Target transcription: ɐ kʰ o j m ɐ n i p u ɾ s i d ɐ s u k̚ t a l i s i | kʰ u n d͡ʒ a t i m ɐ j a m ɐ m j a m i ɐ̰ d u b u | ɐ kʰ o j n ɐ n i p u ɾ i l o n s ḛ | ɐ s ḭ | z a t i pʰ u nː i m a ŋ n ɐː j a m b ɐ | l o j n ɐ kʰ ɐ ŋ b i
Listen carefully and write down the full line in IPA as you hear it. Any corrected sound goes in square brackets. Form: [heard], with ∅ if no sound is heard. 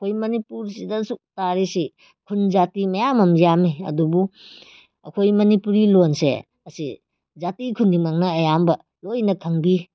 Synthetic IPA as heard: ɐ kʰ o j m ɐ n i p u ɾ s i d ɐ s u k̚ t a [ɾ] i s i | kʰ u n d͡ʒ a t i m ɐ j a m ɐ m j a m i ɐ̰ d u b u | ɐ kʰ o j [m] ɐ n i p u ɾ i l o n s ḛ | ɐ s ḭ | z a t i [kʰ] u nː i m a ŋ n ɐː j a m b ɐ | l o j n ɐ kʰ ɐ ŋ b i